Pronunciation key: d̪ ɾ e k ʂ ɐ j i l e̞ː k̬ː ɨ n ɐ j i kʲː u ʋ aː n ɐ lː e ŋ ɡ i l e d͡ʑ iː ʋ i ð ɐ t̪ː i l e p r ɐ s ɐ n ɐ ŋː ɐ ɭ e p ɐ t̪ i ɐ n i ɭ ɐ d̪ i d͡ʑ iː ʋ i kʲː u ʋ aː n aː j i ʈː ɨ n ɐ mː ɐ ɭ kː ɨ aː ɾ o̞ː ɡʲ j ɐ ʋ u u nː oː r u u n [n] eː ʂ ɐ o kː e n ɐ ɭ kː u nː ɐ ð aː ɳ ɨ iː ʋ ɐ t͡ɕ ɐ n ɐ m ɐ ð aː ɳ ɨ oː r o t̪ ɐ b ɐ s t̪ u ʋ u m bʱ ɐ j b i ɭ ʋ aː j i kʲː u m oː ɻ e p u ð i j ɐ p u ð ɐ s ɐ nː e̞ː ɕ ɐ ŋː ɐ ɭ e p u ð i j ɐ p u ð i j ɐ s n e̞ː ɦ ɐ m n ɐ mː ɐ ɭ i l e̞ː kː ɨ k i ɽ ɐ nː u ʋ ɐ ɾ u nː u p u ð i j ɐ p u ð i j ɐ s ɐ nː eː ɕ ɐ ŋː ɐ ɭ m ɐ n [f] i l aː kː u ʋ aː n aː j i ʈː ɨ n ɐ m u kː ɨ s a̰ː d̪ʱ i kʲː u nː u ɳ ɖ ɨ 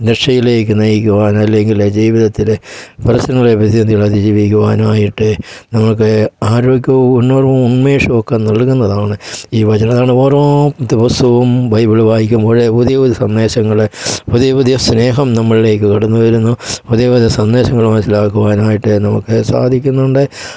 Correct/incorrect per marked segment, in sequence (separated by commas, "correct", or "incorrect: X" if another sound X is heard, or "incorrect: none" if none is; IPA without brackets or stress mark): incorrect: m, incorrect: s